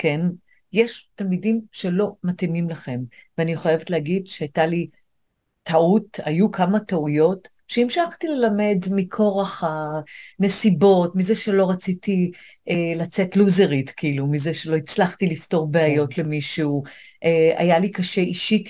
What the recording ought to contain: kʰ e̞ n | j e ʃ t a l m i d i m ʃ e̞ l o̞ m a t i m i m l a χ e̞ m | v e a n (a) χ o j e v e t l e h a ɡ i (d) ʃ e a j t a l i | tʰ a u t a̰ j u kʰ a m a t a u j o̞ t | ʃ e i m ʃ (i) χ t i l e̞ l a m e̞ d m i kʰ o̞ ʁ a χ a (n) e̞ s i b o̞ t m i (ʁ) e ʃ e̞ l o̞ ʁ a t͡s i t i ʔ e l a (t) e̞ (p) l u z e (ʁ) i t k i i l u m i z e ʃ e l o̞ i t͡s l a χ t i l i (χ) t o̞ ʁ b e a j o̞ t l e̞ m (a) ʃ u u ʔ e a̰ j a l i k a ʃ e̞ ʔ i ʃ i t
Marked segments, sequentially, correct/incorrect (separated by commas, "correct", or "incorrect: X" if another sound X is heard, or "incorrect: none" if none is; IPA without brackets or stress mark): incorrect: i, correct, incorrect: a, correct, incorrect: z, incorrect: t͡s, incorrect: t, correct, incorrect: f, incorrect: i